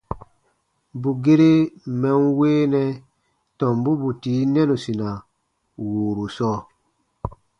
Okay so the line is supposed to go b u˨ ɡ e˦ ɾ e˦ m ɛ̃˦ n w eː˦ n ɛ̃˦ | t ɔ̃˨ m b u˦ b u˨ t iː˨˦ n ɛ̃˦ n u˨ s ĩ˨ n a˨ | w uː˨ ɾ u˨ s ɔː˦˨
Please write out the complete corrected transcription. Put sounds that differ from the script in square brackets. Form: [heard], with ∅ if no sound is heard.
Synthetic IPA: b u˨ ɡ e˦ ɾ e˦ m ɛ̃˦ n w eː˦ n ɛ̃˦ | t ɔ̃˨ m b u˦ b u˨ t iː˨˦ n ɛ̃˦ n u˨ s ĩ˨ n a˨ | w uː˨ ɾ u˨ s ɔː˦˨